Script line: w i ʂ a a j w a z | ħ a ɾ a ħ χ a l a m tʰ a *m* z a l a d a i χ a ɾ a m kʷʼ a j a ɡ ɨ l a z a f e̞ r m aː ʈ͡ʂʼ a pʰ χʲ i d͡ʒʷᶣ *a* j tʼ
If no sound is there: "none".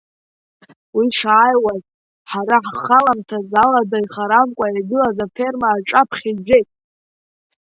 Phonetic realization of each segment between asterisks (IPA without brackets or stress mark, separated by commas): none, e